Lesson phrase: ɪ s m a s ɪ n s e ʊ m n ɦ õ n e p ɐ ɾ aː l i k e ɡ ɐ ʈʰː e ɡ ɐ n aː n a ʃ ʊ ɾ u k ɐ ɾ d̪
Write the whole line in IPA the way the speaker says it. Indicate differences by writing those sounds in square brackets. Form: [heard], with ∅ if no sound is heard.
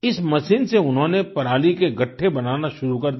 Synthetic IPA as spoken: ɪ s m [ɐ] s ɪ n s e ʊ [∅] n ɦ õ n e p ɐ ɾ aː l i k e ɡ ɐ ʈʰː e [b] ɐ n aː n a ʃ ʊ ɾ u k ɐ ɾ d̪